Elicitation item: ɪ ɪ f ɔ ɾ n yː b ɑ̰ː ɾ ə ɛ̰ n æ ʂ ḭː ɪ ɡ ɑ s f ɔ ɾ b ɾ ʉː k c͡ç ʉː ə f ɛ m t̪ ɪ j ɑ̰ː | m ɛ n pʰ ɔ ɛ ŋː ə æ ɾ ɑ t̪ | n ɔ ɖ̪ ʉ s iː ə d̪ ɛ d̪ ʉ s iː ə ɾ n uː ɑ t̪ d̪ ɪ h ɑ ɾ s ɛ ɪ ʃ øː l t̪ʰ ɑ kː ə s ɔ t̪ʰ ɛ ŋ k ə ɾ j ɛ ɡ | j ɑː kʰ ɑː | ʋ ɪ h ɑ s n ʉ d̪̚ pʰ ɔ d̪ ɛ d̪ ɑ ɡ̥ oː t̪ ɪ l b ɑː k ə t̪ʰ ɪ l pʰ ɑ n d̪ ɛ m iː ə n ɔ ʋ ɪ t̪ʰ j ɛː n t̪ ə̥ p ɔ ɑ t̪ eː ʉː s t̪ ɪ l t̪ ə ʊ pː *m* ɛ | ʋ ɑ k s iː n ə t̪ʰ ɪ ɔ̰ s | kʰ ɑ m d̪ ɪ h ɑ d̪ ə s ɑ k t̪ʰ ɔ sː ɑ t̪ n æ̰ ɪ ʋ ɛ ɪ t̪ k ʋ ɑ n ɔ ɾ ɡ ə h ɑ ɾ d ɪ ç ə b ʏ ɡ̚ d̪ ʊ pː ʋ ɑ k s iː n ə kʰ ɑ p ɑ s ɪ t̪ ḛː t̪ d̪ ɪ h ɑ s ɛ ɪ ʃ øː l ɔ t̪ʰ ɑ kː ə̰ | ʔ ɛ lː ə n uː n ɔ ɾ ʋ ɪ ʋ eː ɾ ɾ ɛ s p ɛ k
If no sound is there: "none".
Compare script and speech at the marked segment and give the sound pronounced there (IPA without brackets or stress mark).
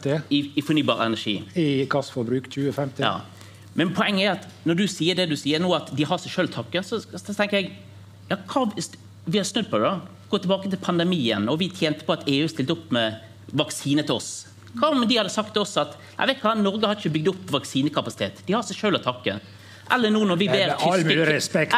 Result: m